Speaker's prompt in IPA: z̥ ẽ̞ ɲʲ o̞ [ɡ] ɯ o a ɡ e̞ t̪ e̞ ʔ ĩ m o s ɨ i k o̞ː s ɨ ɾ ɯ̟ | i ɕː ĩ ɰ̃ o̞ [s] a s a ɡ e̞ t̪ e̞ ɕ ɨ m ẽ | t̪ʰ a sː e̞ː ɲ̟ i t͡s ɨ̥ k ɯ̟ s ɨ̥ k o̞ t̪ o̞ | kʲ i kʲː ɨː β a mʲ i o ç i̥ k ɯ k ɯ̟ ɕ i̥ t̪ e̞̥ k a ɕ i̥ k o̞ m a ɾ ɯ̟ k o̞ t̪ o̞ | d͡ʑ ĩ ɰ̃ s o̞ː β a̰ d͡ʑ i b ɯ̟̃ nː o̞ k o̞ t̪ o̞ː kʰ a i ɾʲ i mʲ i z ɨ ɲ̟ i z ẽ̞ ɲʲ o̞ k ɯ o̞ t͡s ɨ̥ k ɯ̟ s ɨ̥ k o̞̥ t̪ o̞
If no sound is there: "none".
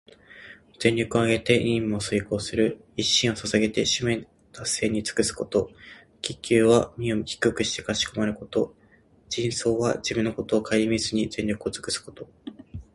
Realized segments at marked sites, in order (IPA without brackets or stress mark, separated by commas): k, s